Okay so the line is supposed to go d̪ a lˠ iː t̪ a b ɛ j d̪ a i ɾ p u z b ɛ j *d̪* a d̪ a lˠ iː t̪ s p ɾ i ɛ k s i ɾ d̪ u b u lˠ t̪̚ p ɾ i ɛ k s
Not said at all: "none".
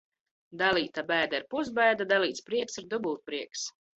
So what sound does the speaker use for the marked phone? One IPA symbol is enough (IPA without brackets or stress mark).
d̪